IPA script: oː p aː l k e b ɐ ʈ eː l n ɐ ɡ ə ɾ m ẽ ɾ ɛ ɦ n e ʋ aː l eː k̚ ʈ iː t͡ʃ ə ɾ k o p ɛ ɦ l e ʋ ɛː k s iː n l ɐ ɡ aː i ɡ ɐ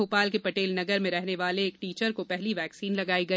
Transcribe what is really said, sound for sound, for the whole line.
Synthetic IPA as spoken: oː p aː l k e p ɐ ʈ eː l n ɐ ɡ ə ɾ m ẽ ɾ ɛ ɦ n e ʋ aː l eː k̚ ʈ iː t͡ʃ ə ɾ k o p ɛ ɦ l i ʋ ɛː k s iː n l ɐ ɡ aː i ɡ ɐ